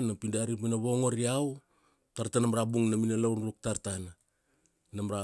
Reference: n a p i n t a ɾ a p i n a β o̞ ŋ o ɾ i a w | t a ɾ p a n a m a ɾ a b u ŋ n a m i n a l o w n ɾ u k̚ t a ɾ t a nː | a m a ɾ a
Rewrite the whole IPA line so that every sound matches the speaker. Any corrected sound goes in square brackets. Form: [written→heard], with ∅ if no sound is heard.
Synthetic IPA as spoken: n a p i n [t→d] a ɾ [a→i] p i n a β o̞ ŋ o ɾ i a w | t a ɾ [p→t] a n a m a ɾ a b u ŋ n a m i n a l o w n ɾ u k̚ t a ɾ t a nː | a m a ɾ a

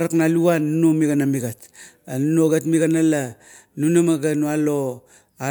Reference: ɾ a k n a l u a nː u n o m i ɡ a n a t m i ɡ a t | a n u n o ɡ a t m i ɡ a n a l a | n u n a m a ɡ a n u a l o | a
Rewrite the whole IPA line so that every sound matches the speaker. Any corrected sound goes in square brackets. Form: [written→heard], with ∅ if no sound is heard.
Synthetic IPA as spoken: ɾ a k n a l u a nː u n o m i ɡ a n a [t→∅] m i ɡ a t | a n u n o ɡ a t m i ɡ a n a l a | n u n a m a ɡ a n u a l o | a

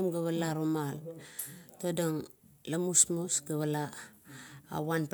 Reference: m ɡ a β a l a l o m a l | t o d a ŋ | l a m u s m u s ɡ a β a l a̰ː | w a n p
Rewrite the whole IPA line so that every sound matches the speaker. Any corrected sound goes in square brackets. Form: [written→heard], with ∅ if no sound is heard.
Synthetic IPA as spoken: m ɡ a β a l a [l→ɾ] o m a l | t o d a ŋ | l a m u s m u s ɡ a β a l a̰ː | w a n p

